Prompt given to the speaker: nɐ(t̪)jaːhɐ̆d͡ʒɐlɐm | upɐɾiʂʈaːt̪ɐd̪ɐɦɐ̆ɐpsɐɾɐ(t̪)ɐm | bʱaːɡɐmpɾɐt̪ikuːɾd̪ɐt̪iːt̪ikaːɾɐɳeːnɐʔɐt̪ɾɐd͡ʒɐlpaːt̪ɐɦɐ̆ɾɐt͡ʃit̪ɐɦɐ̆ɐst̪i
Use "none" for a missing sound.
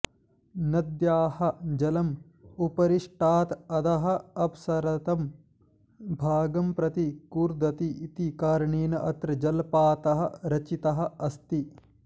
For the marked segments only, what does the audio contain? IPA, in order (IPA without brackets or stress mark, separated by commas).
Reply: d̪, t̪